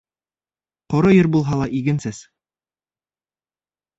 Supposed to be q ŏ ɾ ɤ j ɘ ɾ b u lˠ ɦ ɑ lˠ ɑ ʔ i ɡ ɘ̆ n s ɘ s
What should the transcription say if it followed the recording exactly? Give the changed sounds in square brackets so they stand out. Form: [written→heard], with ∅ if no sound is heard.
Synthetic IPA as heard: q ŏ ɾ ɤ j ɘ ɾ b u lˠ ɦ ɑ lˠ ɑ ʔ i ɡ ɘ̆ n s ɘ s